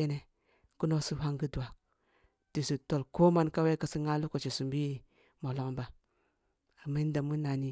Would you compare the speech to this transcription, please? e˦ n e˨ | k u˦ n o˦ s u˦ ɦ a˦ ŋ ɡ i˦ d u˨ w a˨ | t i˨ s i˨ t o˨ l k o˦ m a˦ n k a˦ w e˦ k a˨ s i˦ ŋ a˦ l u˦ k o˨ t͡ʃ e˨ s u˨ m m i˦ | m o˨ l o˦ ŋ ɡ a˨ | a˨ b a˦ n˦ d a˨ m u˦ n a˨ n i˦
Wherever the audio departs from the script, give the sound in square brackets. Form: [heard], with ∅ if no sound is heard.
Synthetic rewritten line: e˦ n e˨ | k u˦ n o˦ s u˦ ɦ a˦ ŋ ɡ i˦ d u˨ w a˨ | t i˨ s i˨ t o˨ l k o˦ m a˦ n k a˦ w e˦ k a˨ s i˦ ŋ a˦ l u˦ k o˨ t͡ʃ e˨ s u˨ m [b] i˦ | m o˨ l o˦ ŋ [b] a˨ | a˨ [m] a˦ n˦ d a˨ m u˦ n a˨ n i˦

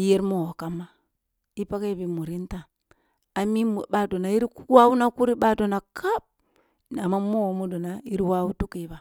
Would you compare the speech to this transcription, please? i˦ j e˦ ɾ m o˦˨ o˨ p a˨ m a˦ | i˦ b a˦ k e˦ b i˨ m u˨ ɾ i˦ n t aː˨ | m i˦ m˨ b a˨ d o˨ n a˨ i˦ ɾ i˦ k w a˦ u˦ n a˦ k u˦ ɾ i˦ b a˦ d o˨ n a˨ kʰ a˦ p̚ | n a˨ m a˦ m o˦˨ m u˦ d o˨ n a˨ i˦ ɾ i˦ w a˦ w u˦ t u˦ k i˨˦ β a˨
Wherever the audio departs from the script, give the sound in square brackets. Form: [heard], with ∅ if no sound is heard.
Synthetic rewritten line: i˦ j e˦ ɾ m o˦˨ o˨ [k] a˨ m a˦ | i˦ [p] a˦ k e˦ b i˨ m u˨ ɾ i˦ n t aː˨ | m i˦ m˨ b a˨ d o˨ n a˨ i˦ ɾ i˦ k w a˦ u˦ n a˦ k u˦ ɾ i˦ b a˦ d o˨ n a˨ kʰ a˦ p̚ | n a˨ m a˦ m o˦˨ m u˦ d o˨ n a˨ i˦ ɾ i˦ w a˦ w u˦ t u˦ k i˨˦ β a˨

